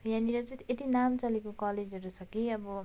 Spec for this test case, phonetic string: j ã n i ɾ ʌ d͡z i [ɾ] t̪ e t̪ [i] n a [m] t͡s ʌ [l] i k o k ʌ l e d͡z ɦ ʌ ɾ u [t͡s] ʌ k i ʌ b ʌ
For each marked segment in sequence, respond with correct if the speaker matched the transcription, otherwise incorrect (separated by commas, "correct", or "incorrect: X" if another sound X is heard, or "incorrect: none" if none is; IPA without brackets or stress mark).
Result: incorrect: none, correct, correct, correct, incorrect: t͡sʰ